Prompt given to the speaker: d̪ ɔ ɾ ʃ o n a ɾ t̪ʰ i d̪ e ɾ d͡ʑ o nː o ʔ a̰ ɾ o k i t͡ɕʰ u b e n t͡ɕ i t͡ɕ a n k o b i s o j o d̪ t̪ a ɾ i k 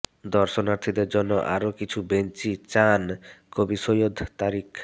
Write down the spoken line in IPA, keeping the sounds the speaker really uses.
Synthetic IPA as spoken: d̪ ɔ ɾ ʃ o n a ɾ t̪ʰ i d̪ e ɾ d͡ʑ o nː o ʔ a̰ ɾ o k i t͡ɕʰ u b e n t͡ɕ i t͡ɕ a n k o b i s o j o d̪ t̪ a ɾ i k